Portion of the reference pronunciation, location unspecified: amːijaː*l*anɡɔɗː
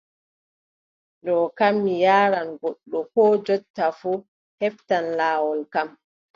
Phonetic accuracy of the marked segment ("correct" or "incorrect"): incorrect